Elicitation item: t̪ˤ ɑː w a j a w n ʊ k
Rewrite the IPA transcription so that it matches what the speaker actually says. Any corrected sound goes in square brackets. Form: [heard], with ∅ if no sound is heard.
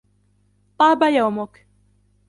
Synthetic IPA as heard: t̪ˤ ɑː [b] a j a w [m] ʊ k